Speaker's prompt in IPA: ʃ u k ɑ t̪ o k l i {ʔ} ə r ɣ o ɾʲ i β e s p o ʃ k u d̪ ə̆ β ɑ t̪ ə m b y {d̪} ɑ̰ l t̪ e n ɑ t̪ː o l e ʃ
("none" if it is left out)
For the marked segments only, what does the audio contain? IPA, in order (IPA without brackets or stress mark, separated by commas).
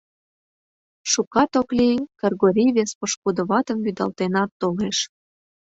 k, d̪